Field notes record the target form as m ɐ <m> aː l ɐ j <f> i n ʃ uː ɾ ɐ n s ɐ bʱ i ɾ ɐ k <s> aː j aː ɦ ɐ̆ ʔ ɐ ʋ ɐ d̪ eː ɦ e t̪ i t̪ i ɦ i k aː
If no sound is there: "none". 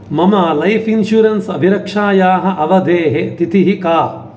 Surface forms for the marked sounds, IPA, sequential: m, f, ʂ

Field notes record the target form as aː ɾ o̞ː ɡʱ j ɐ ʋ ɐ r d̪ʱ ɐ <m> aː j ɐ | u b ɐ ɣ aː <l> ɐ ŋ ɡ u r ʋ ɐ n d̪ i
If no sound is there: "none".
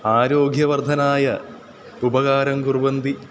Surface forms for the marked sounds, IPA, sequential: n, ɾ

